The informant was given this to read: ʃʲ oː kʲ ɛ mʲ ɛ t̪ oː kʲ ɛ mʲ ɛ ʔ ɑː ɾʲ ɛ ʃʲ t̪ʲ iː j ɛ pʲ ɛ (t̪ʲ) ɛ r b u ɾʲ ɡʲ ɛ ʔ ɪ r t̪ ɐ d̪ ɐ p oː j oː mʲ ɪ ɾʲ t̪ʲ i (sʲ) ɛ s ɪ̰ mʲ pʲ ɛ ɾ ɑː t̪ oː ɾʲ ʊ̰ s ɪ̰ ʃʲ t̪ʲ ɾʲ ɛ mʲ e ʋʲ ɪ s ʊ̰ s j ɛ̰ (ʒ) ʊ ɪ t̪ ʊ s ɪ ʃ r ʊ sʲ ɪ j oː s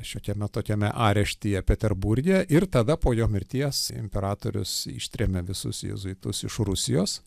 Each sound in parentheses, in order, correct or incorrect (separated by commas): correct, incorrect, incorrect